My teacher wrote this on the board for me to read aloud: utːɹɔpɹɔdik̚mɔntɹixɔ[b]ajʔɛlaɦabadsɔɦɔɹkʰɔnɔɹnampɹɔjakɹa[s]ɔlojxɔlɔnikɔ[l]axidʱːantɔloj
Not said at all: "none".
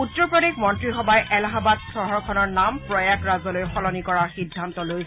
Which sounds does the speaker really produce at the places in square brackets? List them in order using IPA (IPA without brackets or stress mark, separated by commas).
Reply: b, z, ɹ